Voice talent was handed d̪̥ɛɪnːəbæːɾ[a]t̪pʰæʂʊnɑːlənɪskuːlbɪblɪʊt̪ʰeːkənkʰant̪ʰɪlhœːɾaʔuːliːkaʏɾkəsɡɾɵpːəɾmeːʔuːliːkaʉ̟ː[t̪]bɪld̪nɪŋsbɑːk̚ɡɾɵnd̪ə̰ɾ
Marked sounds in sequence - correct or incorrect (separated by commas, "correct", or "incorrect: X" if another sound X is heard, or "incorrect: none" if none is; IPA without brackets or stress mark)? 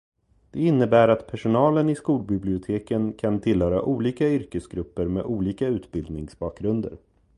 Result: correct, correct